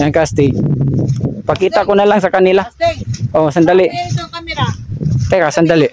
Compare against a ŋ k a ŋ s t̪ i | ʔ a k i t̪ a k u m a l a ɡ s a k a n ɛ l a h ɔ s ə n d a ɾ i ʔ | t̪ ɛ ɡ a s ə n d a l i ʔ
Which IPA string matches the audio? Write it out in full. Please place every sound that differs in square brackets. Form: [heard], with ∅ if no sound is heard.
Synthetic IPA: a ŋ k a [∅] s t̪ i | [p] a k i t̪ a k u [n] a l a [ŋ] s a k a n [i] l a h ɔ s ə n d a [l] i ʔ | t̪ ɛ [k] a s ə n d a l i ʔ